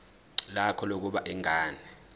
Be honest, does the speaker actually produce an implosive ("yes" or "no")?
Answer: yes